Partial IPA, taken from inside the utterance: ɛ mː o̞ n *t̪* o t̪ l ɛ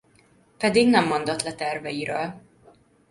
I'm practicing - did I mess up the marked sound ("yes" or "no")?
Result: yes